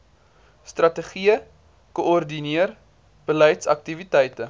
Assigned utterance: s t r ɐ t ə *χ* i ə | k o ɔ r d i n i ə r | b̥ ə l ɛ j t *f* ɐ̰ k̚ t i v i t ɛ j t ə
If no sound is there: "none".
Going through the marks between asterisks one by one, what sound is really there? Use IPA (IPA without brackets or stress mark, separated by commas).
χ, s